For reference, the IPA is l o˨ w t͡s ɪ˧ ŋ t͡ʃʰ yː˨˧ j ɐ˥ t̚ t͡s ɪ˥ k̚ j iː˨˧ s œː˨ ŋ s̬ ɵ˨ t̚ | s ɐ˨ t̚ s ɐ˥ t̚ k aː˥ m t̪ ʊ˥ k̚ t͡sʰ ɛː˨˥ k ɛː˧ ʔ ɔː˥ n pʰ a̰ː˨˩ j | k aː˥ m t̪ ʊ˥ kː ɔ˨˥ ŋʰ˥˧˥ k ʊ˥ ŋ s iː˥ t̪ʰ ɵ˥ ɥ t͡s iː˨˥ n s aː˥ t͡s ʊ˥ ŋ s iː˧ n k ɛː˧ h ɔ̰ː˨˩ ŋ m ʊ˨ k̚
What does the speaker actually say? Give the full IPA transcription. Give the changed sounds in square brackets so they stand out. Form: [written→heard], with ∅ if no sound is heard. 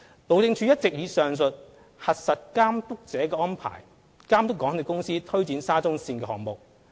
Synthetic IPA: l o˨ w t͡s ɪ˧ ŋ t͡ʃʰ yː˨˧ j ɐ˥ t̚ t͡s [ɪ˥→ɪ˨] k̚ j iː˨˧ s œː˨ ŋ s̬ ɵ˨ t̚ | [s→h] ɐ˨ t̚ s [ɐ˥→ɐ˨] t̚ k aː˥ m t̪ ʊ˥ k̚ [t͡sʰ→t͡s] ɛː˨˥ k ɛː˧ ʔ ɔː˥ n pʰ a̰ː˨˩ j | k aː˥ m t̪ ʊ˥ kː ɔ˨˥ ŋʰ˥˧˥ k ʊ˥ ŋ s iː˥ t̪ʰ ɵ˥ ɥ t͡s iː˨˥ n s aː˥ t͡s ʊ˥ ŋ s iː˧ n k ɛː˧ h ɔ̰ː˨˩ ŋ m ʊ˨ k̚